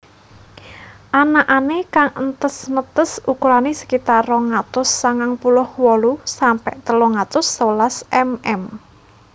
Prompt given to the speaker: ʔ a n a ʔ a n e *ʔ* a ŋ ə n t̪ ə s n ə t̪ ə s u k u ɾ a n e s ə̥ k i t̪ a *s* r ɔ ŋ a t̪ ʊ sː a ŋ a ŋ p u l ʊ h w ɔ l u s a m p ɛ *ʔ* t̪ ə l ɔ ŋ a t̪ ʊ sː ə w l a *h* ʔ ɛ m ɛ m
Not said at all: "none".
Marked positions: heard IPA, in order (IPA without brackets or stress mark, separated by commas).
k, none, ʔ, s